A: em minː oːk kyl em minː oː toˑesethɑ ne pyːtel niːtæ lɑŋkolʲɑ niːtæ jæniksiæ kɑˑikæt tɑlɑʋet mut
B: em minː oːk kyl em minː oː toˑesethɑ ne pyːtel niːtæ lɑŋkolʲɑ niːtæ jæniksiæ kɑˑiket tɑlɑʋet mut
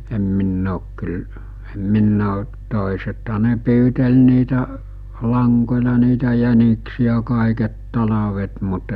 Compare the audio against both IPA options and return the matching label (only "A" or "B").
B